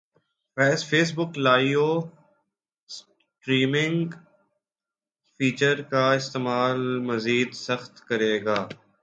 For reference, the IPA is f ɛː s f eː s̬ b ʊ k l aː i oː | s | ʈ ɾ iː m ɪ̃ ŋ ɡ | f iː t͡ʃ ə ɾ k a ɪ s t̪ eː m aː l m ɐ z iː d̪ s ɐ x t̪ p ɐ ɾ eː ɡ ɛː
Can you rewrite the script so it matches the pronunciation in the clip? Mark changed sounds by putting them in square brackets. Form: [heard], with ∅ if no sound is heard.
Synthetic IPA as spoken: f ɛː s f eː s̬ b ʊ k l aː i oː | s | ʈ ɾ iː m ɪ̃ ŋ ɡ | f iː t͡ʃ ə ɾ k a ɪ s t̪ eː m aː l m ɐ z iː d̪ s ɐ x t̪ [k] ɐ ɾ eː ɡ [aː]